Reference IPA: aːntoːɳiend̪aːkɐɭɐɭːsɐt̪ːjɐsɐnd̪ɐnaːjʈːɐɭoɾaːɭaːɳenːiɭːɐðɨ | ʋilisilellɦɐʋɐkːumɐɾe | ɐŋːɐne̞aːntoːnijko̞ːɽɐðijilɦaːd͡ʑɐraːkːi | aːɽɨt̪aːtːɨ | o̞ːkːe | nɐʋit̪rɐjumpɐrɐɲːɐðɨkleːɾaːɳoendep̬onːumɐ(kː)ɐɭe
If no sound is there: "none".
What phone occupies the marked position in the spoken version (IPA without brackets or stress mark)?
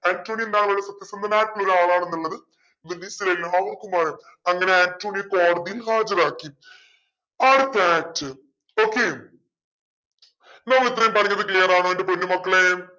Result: kː